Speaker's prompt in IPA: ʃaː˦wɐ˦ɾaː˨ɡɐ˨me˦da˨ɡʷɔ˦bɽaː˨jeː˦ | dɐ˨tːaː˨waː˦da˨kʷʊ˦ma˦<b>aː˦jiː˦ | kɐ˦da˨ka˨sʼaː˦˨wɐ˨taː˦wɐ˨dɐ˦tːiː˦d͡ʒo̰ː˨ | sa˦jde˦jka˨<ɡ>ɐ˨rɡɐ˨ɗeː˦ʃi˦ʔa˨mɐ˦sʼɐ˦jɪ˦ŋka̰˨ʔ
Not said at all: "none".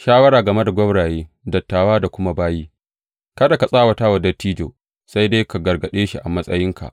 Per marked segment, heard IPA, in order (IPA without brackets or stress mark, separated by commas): b, ɡ